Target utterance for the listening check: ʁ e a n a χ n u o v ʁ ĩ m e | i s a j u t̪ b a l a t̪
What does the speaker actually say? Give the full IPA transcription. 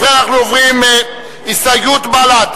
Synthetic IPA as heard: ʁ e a n a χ n u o v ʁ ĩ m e | i s a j u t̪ b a l a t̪